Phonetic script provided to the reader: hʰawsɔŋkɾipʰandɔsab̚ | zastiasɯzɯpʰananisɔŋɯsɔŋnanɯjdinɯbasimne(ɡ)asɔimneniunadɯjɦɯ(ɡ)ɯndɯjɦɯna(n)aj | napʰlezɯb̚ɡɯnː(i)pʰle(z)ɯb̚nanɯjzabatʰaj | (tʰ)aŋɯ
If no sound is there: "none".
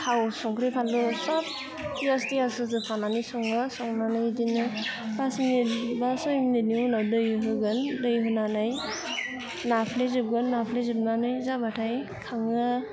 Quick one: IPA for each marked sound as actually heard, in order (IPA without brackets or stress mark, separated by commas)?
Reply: b, ɡ, n, a, z, kʰ